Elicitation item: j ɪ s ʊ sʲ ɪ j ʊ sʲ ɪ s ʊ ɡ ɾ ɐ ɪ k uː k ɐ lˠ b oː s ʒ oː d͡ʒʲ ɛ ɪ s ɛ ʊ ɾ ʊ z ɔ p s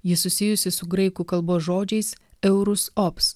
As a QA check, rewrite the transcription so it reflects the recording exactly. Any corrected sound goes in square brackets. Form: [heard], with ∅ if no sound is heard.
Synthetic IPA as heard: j ɪ s ʊ sʲ ɪ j ʊ sʲ ɪ s ʊ ɡ ɾ ɐ ɪ k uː k ɐ lˠ b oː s ʒ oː d͡ʒʲ ɛ ɪ s ɛ ʊ ɾ ʊ [s] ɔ p s